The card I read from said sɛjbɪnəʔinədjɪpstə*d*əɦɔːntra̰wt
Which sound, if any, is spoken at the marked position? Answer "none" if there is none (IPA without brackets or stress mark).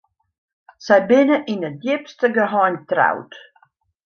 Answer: ɡ